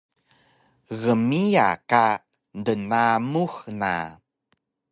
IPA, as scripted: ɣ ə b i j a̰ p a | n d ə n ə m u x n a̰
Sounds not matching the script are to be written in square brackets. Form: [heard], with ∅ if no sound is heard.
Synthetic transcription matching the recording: ɣ ə [m] i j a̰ [k] a | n d ə n [a] m u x n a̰